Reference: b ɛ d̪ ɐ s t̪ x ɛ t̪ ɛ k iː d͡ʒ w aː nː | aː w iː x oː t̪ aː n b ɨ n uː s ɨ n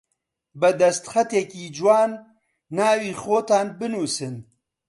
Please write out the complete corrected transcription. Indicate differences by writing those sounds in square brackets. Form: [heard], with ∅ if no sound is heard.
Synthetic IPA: b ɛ d̪ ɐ s t̪ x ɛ t̪ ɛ k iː d͡ʒ w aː nː | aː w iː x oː t̪ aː n b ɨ n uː s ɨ n